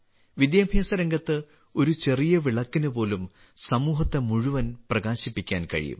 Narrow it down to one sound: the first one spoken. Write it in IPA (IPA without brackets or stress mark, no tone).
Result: ʋ